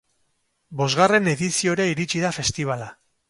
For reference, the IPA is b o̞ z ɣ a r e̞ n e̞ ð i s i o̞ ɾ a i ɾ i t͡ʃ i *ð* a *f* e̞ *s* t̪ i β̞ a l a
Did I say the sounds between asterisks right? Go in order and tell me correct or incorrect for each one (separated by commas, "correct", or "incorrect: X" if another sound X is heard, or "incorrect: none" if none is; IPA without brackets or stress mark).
correct, correct, correct